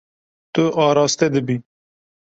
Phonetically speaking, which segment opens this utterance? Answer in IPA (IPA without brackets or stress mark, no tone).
t̪